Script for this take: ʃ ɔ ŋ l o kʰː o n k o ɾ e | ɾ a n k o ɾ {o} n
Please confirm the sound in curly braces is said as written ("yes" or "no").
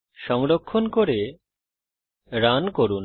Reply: no